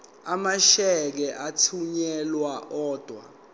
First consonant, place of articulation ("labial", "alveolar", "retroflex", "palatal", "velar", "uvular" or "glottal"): labial